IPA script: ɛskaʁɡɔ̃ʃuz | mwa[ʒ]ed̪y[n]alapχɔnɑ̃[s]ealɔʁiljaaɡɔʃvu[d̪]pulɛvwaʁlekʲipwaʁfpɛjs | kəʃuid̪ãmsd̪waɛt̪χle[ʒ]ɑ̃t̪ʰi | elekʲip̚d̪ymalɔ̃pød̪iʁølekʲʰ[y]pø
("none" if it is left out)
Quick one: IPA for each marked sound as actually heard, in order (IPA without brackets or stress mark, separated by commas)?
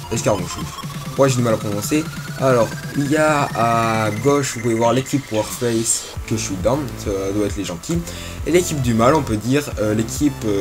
ʒ, m, s, none, ʒ, i